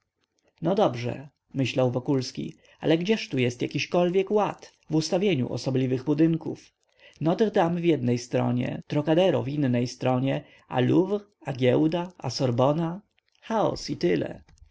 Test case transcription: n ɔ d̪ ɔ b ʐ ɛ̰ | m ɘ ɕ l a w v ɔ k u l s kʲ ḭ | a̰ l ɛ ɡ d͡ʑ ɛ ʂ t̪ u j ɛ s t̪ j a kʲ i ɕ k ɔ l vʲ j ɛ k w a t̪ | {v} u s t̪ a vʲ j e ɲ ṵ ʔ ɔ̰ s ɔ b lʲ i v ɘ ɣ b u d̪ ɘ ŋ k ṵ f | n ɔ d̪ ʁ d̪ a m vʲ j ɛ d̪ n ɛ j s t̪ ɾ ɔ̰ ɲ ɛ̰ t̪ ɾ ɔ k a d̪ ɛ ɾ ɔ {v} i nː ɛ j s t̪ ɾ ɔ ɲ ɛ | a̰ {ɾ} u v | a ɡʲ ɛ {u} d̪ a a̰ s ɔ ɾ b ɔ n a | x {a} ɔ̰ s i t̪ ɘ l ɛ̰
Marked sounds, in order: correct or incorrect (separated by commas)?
correct, correct, incorrect, incorrect, correct